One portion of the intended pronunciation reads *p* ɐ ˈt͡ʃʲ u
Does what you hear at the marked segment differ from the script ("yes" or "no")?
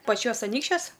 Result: no